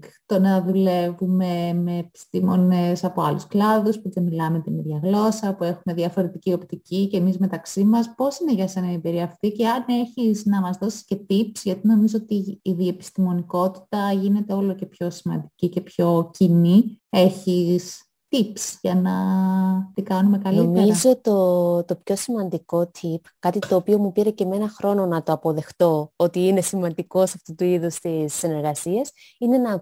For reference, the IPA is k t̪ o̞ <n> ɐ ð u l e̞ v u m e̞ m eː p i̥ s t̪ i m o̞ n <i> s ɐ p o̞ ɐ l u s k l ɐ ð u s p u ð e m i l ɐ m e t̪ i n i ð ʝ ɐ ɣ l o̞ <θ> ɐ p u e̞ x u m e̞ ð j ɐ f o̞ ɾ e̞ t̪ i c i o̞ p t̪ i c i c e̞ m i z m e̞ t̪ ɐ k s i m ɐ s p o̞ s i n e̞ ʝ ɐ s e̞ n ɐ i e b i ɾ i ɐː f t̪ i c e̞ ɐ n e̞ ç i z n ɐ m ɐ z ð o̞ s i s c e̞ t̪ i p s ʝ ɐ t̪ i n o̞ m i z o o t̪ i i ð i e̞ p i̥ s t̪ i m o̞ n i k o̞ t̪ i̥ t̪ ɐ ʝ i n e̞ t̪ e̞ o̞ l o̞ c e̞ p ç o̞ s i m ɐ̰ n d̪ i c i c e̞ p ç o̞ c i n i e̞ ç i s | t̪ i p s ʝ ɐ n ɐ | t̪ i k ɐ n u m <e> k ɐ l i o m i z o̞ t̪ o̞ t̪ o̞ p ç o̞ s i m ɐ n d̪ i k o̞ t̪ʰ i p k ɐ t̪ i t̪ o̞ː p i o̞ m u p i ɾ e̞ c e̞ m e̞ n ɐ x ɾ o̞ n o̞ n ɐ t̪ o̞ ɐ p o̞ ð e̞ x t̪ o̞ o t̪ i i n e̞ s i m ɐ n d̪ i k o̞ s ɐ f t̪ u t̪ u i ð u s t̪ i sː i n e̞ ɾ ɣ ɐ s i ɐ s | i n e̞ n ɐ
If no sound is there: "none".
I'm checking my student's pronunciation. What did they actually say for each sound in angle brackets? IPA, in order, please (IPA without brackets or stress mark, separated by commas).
n, e, s, e